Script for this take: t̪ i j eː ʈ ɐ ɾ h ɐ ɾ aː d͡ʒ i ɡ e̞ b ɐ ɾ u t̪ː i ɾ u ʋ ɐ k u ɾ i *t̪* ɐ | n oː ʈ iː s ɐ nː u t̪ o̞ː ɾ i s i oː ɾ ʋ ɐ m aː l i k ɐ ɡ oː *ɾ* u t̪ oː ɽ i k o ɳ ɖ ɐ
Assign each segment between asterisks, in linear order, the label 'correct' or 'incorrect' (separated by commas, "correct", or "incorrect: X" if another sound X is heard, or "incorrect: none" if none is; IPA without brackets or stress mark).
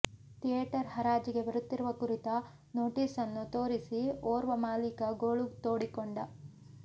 correct, incorrect: ɭ